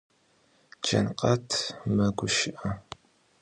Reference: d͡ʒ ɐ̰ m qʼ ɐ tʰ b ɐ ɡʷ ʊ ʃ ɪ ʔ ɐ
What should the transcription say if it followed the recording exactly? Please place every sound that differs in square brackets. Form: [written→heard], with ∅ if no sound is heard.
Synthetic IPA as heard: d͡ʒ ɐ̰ [m→n] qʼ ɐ tʰ [b→m] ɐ ɡʷ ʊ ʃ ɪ ʔ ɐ